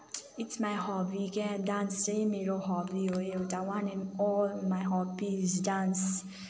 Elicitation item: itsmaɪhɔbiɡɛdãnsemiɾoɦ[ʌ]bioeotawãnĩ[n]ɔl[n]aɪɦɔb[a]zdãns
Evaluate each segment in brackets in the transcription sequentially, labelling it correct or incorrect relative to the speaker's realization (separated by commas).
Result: incorrect, correct, incorrect, incorrect